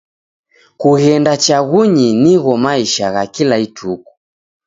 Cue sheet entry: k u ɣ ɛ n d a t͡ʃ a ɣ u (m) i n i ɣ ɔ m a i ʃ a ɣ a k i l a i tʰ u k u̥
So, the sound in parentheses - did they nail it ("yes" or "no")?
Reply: no